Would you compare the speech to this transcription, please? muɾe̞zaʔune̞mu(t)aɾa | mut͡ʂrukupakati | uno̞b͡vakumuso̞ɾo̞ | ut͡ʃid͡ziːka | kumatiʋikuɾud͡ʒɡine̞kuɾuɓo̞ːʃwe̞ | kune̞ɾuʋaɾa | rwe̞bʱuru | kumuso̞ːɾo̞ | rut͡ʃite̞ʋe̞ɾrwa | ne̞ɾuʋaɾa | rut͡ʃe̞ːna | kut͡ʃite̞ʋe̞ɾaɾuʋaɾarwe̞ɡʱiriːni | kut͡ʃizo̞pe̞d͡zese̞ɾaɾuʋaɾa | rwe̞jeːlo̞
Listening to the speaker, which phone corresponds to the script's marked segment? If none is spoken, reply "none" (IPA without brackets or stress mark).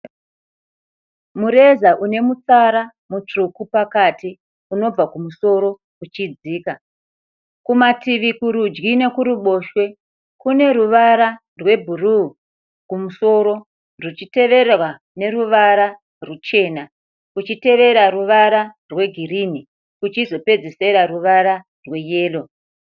t͡s